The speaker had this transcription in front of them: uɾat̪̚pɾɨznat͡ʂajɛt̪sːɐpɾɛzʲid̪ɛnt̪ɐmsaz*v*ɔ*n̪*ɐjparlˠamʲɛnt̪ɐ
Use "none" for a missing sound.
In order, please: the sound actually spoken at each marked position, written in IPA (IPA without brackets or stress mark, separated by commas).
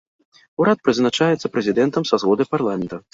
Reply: ɣ, d̪